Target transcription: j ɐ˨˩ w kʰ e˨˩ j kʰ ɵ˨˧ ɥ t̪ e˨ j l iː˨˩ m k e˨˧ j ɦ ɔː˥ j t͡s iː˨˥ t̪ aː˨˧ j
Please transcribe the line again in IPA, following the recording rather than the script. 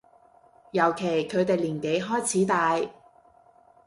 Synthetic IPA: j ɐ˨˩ w kʰ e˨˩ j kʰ ɵ˨˧ ɥ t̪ e˨ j l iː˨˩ n k e˨˧ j ɦ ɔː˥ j t͡sʰ iː˨˥ t̪ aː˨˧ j